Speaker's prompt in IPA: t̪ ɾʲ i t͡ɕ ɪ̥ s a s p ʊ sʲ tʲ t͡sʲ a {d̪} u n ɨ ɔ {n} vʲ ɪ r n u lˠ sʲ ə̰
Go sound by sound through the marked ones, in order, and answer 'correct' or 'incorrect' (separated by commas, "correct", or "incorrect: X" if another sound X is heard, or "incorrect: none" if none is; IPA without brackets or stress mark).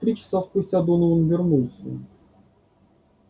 correct, correct